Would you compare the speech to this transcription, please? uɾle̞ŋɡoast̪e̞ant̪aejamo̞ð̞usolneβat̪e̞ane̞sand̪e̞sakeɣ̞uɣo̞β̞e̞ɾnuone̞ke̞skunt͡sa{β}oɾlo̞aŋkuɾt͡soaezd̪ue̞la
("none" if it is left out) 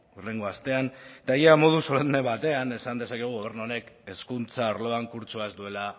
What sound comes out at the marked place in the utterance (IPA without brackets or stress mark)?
none